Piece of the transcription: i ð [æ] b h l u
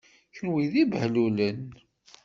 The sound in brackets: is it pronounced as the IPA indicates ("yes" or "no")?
no